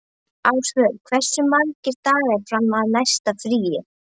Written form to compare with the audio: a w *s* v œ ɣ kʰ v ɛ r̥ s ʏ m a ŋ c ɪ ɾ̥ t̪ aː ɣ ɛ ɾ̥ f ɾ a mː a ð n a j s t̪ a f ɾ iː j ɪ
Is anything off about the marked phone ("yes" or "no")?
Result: no